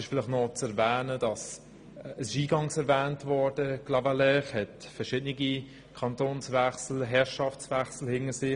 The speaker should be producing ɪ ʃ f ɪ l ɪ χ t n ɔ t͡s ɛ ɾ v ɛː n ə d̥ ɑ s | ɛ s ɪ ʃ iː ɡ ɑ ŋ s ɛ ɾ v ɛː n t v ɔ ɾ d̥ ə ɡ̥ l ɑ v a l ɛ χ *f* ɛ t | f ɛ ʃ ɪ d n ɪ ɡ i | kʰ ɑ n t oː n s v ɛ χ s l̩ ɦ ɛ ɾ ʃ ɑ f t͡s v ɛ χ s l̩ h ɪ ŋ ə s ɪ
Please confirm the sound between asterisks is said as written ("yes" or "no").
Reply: no